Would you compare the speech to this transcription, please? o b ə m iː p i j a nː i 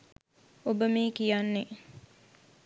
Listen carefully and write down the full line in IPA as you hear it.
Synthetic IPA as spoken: o b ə m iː k i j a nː e